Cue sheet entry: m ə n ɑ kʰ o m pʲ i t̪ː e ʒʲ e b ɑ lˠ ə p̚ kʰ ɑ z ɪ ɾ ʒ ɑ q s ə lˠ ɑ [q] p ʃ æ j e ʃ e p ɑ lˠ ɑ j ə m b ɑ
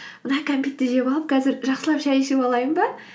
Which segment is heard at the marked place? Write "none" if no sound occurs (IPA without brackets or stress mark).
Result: none